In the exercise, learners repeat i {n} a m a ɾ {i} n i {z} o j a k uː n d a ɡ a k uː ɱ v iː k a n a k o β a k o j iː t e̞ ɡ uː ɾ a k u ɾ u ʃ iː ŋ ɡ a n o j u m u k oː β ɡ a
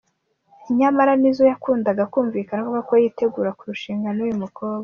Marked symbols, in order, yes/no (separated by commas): no, no, yes